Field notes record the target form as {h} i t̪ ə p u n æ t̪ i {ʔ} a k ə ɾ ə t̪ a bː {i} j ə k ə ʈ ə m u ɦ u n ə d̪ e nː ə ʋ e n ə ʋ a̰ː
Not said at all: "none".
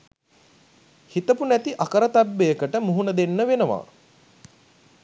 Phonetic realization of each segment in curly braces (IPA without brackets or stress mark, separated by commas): h, ʔ, e